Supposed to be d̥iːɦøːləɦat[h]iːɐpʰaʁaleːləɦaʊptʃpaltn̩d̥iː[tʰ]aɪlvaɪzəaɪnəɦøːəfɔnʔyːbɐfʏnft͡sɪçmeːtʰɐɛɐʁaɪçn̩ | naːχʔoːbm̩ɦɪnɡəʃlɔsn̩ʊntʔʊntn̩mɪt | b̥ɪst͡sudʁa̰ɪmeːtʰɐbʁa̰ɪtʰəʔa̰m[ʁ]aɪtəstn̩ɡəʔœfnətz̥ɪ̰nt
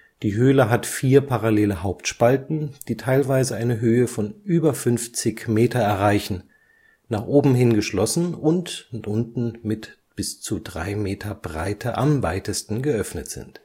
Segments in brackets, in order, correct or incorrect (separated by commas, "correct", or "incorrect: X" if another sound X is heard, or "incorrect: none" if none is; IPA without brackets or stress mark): incorrect: f, correct, incorrect: v